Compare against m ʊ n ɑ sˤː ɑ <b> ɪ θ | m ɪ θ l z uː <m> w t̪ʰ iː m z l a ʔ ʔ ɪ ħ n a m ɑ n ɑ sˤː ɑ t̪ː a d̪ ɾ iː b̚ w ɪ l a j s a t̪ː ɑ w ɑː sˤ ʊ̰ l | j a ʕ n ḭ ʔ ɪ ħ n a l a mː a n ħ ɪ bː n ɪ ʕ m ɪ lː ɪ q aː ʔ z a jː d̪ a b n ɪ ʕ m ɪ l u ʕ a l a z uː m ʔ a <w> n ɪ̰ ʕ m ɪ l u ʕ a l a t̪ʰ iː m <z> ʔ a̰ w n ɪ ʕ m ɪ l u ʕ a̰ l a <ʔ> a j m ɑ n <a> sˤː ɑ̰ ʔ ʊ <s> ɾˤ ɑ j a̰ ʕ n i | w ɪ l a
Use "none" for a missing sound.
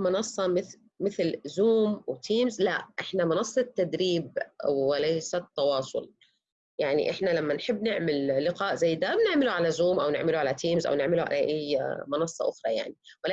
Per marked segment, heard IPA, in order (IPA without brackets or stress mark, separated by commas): m, m, w, z, ʔ, ɑ, x